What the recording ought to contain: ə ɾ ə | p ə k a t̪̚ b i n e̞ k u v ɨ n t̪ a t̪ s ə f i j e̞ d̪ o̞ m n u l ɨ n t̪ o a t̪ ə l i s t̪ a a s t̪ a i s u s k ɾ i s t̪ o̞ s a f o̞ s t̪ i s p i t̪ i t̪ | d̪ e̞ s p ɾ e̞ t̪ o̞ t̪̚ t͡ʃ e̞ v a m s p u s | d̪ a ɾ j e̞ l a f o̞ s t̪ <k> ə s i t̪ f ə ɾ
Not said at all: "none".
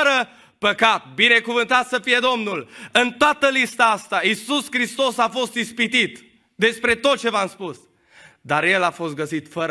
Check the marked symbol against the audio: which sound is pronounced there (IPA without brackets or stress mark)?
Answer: ɡ